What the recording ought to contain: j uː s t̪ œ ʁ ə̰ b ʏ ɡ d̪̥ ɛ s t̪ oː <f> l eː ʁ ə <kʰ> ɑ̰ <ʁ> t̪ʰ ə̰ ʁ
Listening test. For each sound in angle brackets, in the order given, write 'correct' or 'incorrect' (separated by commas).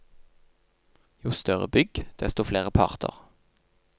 correct, incorrect, correct